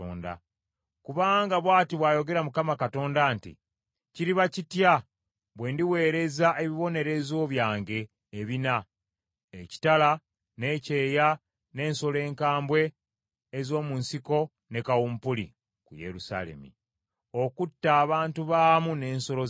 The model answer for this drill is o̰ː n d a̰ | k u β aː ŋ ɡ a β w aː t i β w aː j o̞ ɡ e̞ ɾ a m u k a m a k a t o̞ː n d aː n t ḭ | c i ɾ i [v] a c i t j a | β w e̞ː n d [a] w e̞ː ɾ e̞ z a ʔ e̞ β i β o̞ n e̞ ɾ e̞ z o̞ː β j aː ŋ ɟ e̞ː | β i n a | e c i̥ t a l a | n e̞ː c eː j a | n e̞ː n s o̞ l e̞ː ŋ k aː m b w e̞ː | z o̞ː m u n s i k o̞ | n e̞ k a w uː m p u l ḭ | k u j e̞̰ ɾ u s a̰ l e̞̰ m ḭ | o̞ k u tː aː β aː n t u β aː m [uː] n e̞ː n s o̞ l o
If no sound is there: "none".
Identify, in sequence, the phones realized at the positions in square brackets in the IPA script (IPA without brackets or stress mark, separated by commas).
β, i, u